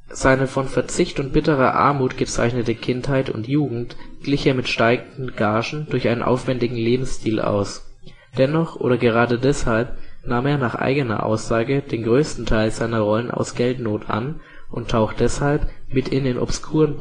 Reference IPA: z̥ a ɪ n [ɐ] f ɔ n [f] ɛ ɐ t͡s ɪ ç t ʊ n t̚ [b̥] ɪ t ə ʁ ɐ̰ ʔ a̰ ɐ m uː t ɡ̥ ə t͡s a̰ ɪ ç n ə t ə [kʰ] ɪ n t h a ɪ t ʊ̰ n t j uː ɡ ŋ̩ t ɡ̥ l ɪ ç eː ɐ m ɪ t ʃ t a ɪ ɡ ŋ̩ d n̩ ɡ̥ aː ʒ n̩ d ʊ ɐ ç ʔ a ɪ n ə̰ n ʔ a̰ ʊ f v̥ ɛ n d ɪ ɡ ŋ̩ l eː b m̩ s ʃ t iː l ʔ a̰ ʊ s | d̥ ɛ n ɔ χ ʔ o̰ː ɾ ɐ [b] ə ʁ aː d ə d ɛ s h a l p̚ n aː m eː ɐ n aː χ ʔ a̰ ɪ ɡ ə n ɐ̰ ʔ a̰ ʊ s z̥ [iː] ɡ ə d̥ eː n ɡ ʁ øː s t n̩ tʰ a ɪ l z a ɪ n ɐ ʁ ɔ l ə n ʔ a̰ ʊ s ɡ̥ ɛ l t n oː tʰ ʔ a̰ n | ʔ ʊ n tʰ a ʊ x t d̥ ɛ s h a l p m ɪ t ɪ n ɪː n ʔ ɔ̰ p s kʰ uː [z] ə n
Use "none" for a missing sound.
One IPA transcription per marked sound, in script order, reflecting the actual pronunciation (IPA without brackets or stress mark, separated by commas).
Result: ə, f, b̥, kʰ, ɡ, aː, ʁ